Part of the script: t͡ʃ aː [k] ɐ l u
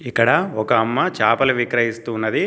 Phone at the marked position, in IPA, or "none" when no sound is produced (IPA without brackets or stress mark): p